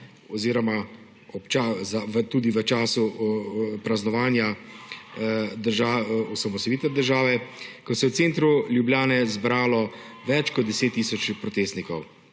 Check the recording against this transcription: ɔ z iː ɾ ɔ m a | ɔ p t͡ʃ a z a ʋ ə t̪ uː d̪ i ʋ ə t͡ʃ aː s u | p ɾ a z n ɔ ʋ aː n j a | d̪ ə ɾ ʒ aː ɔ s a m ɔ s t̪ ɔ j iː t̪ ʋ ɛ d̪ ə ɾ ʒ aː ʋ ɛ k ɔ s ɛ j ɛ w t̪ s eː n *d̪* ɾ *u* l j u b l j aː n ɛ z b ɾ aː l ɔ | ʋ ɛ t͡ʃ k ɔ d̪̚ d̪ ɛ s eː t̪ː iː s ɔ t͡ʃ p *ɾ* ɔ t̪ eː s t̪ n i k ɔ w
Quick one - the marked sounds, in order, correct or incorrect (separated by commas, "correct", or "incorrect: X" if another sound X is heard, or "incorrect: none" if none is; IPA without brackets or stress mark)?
incorrect: t̪, correct, correct